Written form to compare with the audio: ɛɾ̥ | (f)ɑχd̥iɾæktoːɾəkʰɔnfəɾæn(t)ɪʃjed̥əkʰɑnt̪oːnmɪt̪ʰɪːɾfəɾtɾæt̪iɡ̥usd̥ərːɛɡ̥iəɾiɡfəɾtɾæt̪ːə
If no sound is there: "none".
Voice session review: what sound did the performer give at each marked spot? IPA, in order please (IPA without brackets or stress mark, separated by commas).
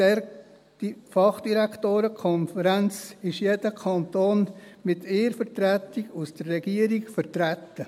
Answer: f, t͡s